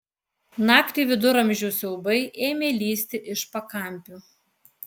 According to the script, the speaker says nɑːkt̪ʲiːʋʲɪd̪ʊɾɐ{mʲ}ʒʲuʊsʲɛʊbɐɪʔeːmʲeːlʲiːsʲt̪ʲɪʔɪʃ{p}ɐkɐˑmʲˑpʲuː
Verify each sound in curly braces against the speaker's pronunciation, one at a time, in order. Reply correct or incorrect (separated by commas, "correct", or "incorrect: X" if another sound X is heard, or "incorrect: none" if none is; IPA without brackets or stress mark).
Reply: correct, correct